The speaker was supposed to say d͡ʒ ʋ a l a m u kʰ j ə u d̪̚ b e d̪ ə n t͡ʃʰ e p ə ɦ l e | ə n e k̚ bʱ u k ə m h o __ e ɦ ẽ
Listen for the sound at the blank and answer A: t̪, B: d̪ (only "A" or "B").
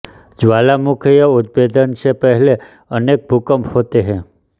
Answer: A